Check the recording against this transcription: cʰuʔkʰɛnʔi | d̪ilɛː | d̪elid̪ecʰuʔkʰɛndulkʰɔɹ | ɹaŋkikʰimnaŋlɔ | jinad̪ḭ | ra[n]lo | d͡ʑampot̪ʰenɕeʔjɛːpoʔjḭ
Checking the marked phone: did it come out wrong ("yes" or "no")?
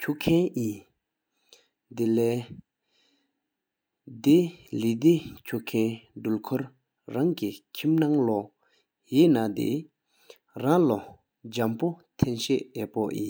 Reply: yes